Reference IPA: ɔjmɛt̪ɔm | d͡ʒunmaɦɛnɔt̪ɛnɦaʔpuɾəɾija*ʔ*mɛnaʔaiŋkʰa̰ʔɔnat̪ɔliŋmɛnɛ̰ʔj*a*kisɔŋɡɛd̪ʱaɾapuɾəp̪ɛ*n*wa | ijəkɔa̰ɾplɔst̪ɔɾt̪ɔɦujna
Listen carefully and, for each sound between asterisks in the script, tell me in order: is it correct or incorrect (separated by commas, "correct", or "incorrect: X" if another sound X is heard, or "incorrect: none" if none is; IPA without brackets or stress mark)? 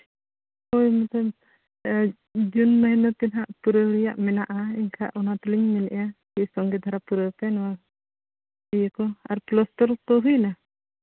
correct, correct, correct